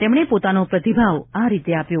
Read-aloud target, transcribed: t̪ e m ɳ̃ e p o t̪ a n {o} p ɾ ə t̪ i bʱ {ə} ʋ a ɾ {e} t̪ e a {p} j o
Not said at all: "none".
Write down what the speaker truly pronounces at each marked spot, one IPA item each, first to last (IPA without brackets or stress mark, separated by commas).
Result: o, a, i, p